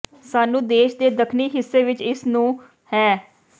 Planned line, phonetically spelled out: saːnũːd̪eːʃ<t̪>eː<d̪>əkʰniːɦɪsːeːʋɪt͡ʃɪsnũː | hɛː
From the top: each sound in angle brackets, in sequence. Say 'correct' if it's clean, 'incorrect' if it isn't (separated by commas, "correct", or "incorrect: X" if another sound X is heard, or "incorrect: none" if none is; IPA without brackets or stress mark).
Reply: incorrect: d̪, correct